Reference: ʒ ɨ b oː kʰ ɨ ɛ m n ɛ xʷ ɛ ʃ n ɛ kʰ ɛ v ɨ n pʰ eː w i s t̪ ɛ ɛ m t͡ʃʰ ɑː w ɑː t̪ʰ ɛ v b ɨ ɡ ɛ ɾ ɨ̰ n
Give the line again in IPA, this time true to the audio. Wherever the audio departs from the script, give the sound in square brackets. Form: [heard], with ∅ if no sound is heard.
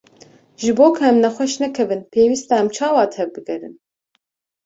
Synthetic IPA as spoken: ʒ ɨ b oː kʰ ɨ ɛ m n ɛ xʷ ɛ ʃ n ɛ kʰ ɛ v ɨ n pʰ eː w i s t̪ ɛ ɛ m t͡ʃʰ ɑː w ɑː t̪ʰ ɛ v b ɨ ɡ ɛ ɾ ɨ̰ n